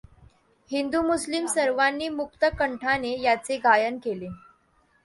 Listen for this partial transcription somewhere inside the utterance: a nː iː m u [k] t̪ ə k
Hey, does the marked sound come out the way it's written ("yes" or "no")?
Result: yes